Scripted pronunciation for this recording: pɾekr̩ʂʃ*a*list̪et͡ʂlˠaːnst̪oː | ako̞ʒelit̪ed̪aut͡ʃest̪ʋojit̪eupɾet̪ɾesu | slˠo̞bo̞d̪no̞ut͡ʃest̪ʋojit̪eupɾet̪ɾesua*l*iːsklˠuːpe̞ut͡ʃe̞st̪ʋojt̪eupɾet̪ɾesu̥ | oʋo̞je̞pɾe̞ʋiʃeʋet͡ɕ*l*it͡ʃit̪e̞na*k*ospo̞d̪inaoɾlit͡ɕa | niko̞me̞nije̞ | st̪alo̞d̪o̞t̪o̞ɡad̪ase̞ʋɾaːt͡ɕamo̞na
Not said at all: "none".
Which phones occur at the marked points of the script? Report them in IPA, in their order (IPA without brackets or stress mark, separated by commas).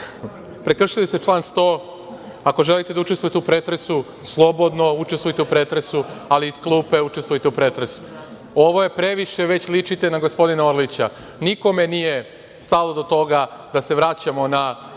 i, l, l, ɡ